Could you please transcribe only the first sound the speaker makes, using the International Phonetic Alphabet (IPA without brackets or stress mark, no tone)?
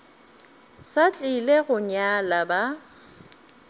s